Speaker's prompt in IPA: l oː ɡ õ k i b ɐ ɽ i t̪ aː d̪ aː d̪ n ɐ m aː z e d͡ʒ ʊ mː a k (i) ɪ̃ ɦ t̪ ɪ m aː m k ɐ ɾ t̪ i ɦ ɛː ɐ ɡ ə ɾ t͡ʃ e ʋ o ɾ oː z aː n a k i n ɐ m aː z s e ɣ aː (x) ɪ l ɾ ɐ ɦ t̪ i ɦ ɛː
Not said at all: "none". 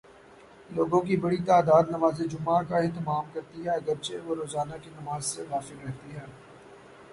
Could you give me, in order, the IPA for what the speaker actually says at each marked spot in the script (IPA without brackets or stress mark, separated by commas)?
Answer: a, f